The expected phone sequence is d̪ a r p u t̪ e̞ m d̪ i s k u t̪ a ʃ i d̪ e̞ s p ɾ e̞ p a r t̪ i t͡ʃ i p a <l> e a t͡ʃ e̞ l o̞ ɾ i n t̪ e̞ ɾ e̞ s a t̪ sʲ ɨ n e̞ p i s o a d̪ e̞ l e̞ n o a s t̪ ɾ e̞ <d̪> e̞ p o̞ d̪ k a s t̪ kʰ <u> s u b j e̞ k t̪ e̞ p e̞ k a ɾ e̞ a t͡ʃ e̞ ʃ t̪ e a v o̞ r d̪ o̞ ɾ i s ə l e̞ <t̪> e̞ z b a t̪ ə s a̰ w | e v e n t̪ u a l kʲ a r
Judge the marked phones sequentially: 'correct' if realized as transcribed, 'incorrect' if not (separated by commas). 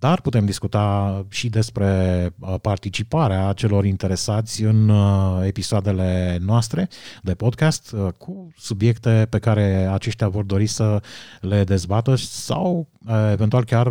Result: incorrect, correct, correct, incorrect